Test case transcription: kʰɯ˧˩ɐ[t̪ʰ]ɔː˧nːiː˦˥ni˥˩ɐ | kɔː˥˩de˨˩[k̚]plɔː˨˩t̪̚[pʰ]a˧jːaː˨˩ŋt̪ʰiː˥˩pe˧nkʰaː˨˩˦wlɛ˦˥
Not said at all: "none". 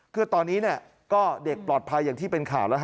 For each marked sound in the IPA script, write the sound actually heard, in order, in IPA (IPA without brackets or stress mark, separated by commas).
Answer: t̪, k̚, pʰ